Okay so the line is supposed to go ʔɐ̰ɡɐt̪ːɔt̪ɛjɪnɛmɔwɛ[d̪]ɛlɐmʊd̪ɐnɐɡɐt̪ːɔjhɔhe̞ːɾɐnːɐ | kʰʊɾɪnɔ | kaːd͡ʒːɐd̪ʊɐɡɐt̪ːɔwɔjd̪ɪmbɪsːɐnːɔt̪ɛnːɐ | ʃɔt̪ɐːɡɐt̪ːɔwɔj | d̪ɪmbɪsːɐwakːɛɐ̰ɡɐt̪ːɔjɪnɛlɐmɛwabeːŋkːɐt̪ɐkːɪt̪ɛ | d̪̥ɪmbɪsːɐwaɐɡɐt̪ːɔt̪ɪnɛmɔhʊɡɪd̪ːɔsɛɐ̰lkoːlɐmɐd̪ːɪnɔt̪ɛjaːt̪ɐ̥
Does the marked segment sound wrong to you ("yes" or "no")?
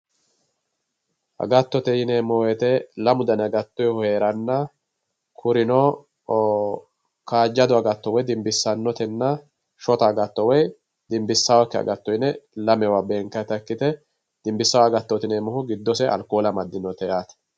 yes